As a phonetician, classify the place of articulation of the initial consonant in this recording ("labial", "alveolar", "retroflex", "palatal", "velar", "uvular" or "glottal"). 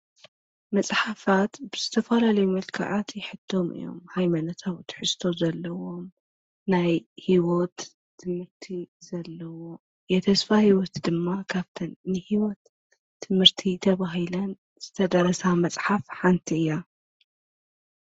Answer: labial